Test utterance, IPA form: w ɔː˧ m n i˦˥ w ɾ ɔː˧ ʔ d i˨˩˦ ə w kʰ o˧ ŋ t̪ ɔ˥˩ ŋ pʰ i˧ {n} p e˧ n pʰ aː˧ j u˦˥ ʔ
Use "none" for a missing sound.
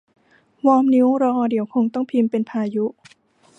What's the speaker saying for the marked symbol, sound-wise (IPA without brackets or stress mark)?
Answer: m